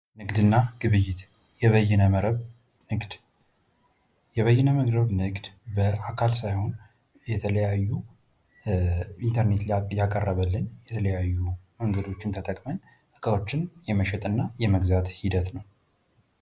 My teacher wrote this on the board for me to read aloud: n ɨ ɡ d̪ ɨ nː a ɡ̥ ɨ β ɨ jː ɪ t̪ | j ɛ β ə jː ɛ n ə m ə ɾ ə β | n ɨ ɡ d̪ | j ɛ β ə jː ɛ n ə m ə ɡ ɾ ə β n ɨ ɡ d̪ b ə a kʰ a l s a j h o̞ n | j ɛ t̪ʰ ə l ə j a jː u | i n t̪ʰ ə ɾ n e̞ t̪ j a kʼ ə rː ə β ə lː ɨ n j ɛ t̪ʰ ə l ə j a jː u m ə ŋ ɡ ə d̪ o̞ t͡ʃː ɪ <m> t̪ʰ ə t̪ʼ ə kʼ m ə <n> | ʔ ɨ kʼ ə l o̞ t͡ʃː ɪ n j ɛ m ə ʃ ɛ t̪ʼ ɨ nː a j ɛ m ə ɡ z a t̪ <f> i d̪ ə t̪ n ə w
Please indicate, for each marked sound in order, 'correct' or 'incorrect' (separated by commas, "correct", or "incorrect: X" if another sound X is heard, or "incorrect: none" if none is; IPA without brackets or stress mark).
incorrect: n, correct, incorrect: h